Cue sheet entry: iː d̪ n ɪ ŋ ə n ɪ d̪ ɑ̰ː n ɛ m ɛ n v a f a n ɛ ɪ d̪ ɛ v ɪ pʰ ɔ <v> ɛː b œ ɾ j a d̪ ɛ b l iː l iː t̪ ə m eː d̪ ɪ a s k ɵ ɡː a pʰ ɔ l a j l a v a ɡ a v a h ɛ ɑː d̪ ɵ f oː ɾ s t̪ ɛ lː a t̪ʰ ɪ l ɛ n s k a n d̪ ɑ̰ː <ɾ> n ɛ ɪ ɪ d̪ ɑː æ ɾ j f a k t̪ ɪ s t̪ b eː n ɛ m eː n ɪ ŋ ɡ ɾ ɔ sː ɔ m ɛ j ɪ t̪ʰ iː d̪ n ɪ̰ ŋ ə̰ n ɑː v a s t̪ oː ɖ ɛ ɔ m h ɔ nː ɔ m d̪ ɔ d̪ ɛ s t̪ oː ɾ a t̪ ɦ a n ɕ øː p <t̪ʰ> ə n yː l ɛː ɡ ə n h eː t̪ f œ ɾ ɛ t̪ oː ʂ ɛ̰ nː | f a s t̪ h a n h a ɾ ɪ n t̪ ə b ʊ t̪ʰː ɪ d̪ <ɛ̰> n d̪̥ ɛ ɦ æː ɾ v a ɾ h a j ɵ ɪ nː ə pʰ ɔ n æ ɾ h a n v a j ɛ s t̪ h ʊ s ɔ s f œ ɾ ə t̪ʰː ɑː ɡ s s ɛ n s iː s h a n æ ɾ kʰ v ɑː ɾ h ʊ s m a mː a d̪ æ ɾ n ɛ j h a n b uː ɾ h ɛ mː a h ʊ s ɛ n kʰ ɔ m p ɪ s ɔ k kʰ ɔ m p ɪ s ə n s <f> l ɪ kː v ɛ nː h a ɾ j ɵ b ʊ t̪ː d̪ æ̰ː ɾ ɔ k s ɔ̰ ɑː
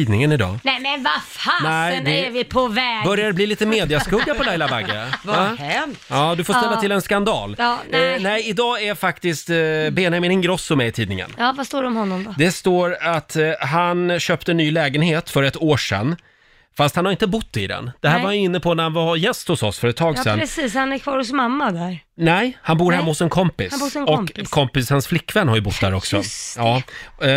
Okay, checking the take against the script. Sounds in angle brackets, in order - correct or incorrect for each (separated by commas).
correct, incorrect, incorrect, correct, correct